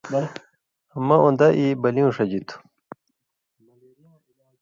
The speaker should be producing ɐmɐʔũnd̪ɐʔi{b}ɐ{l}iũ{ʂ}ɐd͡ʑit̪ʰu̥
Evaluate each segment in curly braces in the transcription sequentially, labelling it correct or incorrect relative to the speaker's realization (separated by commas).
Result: correct, correct, correct